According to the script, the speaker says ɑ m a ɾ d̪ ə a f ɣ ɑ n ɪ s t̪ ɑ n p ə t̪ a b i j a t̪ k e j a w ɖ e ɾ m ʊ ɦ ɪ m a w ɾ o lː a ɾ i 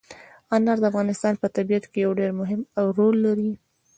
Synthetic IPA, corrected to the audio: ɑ n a ɾ d̪ ə a f ɣ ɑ n ɪ s t̪ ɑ n p ə t̪ a b i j a t̪ k e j a w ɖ e ɾ m ʊ ɦ ɪ m a w ɾ o lː a ɾ i